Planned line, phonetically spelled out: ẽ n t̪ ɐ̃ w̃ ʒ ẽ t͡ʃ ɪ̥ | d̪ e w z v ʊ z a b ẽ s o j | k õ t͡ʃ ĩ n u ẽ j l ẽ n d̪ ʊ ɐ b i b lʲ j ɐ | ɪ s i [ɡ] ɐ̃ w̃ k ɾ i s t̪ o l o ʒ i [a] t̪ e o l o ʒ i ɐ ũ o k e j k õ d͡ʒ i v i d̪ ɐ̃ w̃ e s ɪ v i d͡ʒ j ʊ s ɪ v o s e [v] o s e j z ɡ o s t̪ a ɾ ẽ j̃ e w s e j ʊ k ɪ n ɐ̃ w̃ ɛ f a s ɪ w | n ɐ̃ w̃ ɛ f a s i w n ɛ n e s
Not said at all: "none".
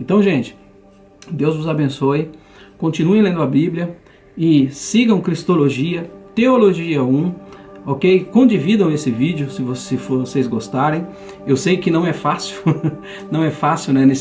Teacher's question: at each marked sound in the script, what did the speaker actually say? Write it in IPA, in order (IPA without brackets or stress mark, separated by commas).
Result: ɡ, ɐ, f